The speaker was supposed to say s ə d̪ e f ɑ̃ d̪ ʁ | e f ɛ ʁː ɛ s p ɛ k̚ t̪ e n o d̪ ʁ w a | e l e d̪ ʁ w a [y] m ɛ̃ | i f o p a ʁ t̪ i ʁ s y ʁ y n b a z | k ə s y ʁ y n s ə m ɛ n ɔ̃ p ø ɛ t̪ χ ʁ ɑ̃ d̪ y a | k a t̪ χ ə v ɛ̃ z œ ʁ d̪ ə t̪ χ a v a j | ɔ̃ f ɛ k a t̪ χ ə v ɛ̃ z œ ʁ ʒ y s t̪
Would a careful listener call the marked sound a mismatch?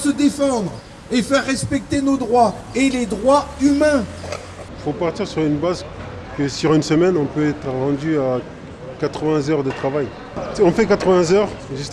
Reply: no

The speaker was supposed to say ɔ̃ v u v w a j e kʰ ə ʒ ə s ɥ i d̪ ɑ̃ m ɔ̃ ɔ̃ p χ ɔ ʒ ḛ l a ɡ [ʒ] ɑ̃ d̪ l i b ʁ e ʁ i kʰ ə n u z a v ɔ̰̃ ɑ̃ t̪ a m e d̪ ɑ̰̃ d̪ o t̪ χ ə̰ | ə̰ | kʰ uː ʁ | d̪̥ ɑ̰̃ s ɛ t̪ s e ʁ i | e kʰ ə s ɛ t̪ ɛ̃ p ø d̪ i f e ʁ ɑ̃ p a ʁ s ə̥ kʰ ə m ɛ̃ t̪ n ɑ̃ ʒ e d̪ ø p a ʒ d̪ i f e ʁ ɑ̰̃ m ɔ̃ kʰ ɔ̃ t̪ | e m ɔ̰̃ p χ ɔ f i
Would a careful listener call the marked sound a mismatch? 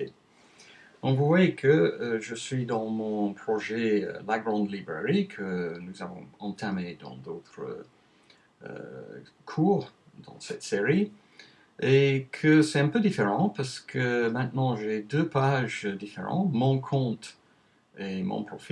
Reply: yes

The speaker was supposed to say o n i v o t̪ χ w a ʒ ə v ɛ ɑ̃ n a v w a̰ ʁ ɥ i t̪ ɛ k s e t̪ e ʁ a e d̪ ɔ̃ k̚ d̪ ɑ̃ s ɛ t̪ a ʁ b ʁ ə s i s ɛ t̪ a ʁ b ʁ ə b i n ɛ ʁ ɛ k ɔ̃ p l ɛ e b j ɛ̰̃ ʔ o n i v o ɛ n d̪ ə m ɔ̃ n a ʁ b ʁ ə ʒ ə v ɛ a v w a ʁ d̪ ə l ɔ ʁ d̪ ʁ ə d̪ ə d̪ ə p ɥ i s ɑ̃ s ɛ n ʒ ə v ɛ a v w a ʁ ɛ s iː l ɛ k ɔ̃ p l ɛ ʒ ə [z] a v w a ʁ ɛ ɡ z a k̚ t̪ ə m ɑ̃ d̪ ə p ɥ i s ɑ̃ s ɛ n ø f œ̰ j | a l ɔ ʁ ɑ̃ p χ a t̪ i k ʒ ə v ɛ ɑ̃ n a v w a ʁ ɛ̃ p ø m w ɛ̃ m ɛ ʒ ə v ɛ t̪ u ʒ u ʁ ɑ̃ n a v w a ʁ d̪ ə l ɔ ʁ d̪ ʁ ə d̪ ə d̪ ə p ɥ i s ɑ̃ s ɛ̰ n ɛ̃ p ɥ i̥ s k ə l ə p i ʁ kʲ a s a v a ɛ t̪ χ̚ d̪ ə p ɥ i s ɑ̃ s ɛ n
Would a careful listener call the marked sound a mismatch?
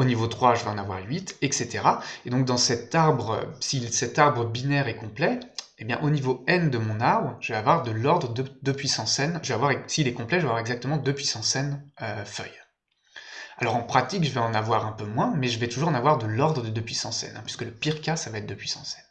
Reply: yes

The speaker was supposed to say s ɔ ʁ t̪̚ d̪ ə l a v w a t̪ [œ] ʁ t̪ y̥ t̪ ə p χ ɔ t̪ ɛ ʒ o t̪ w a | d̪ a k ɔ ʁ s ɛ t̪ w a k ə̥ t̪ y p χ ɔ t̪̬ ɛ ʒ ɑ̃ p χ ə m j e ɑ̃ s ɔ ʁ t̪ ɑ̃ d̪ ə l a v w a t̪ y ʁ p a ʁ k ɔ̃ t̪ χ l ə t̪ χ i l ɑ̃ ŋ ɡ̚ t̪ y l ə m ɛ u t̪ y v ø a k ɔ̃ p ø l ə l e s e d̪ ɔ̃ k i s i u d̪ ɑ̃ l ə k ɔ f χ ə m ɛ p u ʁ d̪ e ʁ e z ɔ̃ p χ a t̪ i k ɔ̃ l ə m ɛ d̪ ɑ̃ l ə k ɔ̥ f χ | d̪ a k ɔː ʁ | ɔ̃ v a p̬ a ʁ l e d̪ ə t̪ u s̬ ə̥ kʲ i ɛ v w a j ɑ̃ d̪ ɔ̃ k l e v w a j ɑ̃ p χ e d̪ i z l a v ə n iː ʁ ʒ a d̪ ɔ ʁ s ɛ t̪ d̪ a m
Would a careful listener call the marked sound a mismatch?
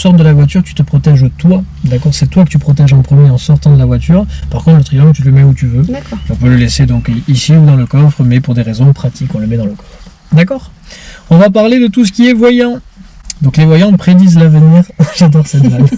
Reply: yes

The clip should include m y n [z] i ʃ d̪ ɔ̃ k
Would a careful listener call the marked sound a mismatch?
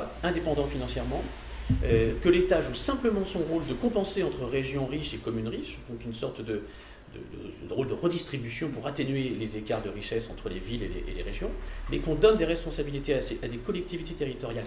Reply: yes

